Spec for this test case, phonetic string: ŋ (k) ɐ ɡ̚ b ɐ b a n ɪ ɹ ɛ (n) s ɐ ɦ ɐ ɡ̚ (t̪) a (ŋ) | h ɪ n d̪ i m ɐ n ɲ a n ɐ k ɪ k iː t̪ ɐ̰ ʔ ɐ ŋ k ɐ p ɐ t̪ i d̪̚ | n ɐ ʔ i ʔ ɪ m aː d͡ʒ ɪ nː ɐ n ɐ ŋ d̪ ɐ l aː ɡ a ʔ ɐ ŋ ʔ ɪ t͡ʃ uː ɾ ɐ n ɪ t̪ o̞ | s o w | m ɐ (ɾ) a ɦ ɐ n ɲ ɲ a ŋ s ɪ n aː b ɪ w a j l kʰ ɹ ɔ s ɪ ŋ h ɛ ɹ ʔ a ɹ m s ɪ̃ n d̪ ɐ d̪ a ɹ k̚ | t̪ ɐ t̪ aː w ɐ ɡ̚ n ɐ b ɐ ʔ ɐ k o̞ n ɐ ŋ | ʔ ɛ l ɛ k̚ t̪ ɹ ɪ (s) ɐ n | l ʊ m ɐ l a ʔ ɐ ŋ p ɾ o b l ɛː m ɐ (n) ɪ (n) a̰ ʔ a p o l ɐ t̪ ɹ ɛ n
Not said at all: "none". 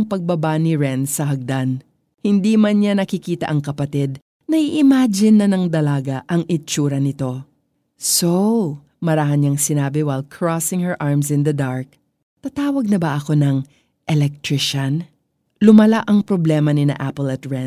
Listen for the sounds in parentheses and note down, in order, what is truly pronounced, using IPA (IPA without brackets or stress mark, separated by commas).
p, n, d̪, n, ɾ, ʃ, n, n